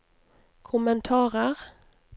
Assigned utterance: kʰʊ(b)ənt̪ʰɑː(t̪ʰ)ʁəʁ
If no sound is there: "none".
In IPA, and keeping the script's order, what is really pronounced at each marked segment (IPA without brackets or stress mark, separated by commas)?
m, none